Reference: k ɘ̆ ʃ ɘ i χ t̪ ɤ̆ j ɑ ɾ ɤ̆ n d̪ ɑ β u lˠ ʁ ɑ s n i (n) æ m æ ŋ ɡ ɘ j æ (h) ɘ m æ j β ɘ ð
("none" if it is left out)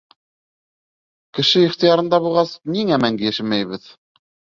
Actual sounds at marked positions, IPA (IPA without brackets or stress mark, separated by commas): ŋ, ʃ